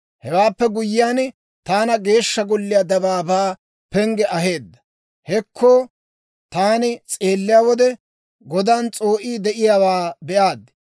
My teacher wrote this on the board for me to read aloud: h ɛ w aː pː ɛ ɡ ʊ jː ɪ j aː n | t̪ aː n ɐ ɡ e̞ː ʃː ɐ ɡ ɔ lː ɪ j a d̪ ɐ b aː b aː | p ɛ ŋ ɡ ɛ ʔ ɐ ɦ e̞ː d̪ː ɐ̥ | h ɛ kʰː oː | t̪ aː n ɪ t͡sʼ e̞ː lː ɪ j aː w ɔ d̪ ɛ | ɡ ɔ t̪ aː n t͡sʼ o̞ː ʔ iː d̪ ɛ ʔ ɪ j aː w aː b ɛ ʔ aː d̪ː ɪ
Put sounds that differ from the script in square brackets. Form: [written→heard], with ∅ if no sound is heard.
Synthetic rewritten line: h ɛ w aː pː ɛ ɡ ʊ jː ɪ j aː n | t̪ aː n ɐ ɡ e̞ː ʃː ɐ ɡ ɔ lː ɪ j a d̪ ɐ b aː b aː | p ɛ ŋ ɡ ɛ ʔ ɐ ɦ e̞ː d̪ː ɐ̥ | h ɛ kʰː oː | t̪ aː n ɪ t͡sʼ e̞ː lː ɪ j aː w ɔ d̪ ɛ | ɡ ɔ [t̪→d̪] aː n t͡sʼ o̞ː ʔ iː d̪ ɛ ʔ ɪ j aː w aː b ɛ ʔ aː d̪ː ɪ

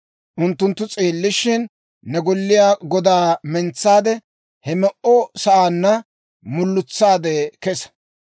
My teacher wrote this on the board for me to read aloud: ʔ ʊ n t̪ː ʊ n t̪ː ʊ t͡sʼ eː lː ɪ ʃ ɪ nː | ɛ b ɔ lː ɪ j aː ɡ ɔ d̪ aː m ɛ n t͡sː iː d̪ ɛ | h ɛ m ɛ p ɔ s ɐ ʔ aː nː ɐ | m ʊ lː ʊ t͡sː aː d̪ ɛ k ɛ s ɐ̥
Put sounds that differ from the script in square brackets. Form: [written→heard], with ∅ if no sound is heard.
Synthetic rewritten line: ʔ ʊ n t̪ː ʊ n t̪ː ʊ t͡sʼ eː lː ɪ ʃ ɪ nː | ɛ [b→ɡ] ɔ lː ɪ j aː ɡ ɔ d̪ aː m ɛ n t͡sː [iː→aː] d̪ ɛ | h ɛ m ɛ [p→ʔ] ɔ s ɐ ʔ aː nː ɐ | m ʊ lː ʊ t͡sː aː d̪ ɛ k ɛ s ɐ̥

